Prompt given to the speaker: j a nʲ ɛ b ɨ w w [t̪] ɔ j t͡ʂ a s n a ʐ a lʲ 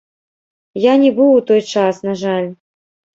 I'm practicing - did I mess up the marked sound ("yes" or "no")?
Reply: no